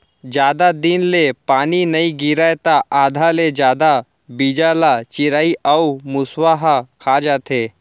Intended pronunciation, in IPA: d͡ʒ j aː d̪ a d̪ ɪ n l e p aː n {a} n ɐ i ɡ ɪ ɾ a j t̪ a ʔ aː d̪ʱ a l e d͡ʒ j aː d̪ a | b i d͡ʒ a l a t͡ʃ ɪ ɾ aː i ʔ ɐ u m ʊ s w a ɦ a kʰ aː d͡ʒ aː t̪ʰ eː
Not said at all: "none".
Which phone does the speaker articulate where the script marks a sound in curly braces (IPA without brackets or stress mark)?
i